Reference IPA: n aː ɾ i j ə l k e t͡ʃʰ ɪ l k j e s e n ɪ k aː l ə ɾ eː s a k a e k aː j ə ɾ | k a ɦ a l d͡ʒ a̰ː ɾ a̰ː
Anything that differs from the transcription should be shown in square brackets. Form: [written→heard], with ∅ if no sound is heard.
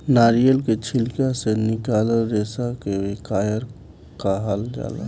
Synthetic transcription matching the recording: n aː ɾ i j ə l k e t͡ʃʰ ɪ l k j [e→a] s e n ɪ k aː l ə ɾ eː s a k [a→e] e k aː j ə ɾ | k a ɦ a l d͡ʒ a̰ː [ɾ→l] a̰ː

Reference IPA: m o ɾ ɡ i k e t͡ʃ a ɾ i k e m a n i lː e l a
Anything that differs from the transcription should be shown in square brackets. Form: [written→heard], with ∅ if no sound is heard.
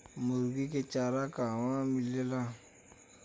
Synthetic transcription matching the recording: m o ɾ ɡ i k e t͡ʃ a ɾ [i→a] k [e→a] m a [n→m] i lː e l a

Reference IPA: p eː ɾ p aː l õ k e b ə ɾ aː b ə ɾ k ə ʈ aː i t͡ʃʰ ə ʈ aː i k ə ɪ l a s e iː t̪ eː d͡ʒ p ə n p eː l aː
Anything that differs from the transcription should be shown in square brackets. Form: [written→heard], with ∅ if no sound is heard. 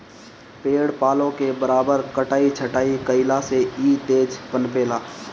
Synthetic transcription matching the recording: p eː [ɾ→ɽ] p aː l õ k e b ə ɾ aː b ə ɾ k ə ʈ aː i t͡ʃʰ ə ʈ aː i k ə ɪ l a s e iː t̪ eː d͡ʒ p ə n p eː l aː

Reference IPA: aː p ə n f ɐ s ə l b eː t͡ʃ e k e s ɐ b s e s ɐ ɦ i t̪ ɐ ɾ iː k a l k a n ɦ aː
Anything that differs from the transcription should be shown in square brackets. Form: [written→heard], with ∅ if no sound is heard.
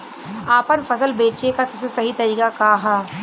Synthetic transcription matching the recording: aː p ə n f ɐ s ə l b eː t͡ʃ e k [e→a] s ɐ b s e s ɐ ɦ i t̪ ɐ ɾ iː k a [l→∅] k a [n→∅] ɦ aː

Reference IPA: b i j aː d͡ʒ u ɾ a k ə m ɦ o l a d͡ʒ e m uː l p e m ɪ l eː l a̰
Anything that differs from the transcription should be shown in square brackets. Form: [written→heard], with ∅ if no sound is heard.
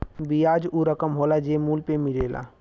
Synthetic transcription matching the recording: b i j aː d͡ʒ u ɾ [a→ə] k ə m ɦ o l a d͡ʒ e m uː l p e m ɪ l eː l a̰

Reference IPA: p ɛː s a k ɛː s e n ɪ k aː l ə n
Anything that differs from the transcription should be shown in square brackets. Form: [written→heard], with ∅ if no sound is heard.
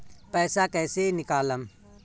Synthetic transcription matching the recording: p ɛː s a k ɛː s e n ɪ k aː l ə [n→m]

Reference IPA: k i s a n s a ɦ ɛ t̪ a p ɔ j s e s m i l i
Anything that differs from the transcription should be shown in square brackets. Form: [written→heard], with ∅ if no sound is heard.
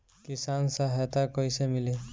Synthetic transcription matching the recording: k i s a n s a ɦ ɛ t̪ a [p→k] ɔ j s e [s→∅] m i l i

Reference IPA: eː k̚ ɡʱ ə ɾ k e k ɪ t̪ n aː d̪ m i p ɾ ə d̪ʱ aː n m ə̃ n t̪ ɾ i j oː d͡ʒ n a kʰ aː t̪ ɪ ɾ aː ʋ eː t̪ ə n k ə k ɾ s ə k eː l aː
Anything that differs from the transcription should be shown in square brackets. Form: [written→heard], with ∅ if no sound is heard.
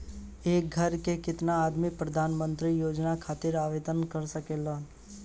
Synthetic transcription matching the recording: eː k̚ ɡʱ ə ɾ k e k ɪ t̪ n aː d̪ m i p ɾ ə d̪ʱ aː n m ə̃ n t̪ ɾ i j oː d͡ʒ n a kʰ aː t̪ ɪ ɾ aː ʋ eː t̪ ə n k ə [k→∅] ɾ s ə k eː l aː

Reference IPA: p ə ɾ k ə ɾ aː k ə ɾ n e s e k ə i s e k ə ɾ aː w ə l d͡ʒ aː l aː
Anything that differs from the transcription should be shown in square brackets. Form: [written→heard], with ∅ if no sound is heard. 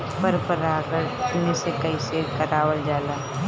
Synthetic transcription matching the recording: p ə ɾ [k→p] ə ɾ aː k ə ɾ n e s e k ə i s e k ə ɾ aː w ə l d͡ʒ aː l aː

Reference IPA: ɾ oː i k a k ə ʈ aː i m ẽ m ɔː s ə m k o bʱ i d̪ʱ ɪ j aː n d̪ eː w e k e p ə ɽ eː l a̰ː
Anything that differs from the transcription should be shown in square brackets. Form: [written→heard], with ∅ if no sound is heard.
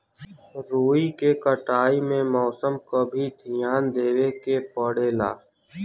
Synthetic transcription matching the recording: ɾ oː i k [a→e] k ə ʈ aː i m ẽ m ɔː s ə m k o bʱ i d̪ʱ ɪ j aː n d̪ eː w e k e p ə ɽ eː l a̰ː

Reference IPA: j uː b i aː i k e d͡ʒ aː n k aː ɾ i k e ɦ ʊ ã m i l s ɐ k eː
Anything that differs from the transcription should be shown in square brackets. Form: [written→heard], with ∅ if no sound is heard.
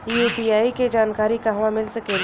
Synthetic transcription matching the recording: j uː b i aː i k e d͡ʒ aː n k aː ɾ i k [e→a] ɦ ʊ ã m [i→ɪ] l s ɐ k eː

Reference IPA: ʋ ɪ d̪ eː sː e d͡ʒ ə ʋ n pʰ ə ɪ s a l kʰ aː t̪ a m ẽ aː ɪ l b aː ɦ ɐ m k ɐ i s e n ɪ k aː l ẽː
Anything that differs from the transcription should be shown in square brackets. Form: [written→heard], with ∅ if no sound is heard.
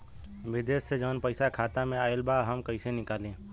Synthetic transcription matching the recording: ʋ ɪ d̪ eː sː e d͡ʒ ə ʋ n [pʰ→p] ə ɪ s a [l→∅] kʰ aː t̪ a m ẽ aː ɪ l b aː ɦ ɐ m k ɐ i s e n ɪ k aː l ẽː

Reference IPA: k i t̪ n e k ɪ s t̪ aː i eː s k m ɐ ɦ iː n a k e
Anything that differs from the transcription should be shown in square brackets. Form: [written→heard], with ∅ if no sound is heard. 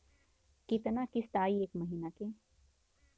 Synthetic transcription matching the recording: k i t̪ n [e→a] k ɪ s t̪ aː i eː [s→∅] k m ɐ ɦ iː n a k e

